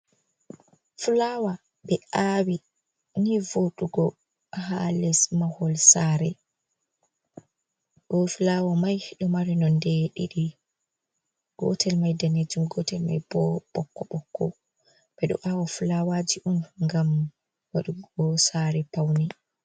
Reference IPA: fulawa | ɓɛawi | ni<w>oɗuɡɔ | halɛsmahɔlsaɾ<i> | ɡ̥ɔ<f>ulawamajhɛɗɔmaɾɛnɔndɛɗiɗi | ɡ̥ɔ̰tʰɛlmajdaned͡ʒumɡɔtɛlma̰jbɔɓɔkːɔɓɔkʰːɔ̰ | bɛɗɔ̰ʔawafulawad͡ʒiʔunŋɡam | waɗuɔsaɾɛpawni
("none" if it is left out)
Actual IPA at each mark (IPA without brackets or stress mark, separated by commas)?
v, ɛ, f